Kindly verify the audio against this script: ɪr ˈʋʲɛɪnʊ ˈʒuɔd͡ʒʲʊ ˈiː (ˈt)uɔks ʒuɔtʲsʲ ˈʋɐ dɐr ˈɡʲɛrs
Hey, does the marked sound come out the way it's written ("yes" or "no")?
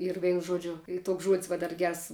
yes